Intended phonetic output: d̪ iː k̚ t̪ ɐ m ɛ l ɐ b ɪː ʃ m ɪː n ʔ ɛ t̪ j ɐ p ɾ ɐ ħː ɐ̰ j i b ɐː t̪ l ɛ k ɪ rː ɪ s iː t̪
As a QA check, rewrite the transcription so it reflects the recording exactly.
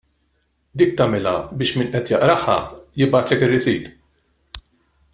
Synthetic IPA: d̪ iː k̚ t̪ ɐ m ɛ l ɐ b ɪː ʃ m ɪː n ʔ ɛ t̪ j ɐ ʔ ɾ ɐ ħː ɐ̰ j ɪ b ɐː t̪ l ɛ k ɪ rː ɪ s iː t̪